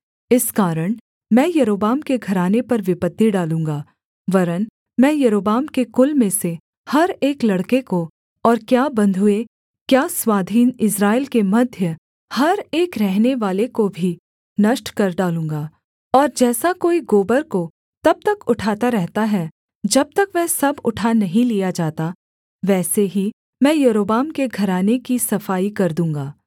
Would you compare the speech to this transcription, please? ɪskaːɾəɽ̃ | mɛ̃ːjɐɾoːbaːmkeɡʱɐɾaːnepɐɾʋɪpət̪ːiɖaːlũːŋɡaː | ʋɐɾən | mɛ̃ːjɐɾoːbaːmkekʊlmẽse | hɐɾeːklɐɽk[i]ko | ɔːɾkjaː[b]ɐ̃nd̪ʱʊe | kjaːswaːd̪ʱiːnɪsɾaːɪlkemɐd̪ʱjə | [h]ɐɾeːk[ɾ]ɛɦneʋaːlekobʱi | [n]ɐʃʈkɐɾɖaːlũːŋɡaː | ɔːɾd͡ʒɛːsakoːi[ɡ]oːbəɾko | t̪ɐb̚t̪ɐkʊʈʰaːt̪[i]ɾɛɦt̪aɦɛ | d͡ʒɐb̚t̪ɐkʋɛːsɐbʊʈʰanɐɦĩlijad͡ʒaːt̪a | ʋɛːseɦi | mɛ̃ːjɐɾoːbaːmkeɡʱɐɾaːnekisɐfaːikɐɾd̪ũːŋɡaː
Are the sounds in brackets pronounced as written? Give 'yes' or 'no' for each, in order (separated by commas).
no, yes, yes, yes, yes, yes, no